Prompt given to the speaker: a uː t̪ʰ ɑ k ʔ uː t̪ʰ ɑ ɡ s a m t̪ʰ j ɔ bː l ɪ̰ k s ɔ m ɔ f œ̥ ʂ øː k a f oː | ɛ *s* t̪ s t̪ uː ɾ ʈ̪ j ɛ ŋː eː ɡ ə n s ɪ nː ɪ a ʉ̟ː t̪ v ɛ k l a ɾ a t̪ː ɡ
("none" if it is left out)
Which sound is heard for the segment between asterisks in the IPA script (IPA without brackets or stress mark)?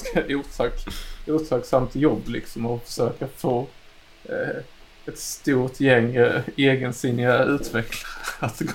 none